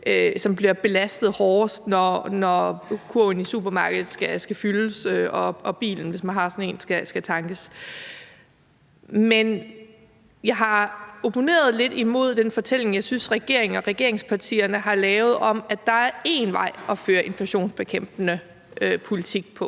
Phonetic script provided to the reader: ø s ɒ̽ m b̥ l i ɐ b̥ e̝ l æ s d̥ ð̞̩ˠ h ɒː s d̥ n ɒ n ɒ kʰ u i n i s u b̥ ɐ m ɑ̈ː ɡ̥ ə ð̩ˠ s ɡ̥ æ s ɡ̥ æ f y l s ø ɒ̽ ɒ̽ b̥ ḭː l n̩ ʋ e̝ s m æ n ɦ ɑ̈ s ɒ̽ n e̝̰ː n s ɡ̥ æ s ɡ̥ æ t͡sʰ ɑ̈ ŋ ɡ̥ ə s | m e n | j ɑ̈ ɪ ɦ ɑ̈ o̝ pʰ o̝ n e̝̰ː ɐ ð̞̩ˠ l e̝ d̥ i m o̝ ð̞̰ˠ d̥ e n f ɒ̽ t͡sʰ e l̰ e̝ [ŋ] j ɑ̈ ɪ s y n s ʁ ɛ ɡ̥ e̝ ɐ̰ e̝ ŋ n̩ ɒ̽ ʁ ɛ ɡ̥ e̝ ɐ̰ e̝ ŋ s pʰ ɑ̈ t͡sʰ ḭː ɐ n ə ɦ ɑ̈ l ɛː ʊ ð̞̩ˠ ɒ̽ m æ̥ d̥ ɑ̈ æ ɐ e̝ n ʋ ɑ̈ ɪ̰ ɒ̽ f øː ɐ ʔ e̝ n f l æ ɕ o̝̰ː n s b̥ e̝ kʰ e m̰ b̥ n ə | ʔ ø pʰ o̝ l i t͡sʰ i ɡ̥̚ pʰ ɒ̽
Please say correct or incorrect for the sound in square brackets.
correct